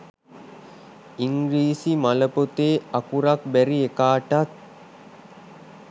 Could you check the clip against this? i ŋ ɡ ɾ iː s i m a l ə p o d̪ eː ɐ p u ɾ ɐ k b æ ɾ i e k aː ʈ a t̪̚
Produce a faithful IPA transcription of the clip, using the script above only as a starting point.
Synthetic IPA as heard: i ŋ ɡ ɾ iː s i m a l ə p o t̪ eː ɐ k u ɾ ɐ k b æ ɾ i e k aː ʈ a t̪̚